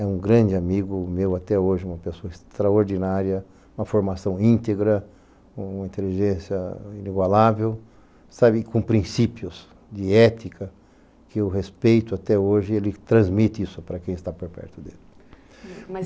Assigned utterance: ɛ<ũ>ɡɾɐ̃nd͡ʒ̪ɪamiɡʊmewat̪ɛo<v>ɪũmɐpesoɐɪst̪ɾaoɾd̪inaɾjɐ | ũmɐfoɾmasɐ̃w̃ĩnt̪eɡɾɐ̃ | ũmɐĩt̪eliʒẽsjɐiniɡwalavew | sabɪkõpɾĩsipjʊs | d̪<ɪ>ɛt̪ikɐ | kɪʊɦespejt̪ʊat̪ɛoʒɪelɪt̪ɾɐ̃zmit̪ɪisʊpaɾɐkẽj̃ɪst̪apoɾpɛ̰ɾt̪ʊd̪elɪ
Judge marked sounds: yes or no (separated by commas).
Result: yes, no, yes